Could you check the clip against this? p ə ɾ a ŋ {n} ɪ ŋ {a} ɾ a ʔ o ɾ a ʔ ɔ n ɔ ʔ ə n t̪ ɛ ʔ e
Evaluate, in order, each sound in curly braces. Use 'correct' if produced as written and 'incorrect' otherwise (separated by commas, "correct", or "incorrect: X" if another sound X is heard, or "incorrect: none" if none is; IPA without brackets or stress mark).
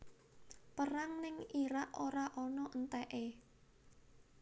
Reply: correct, incorrect: i